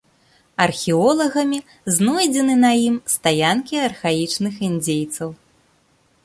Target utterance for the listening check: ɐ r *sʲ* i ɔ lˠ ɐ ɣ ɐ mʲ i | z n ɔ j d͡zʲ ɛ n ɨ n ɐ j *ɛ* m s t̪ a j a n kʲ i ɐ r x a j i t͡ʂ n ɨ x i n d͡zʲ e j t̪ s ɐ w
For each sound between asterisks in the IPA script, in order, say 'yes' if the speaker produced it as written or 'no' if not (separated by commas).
no, no